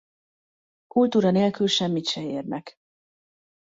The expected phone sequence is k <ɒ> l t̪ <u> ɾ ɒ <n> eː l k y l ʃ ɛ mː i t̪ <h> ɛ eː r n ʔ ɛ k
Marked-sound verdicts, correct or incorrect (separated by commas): incorrect, incorrect, correct, incorrect